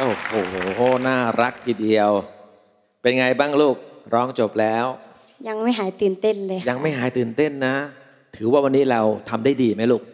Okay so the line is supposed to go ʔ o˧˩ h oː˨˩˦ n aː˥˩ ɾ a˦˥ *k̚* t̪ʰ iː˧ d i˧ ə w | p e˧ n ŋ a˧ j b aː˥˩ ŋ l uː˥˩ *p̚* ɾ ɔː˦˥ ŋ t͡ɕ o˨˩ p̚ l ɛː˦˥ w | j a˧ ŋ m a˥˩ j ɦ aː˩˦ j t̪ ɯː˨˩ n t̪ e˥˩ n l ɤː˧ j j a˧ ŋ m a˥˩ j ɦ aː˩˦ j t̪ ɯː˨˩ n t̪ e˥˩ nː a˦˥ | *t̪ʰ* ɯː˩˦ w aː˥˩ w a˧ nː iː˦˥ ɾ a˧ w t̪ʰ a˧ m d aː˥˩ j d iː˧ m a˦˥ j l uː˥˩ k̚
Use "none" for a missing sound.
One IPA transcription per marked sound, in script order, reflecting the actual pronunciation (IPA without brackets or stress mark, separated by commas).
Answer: k̚, k̚, t̪ʰ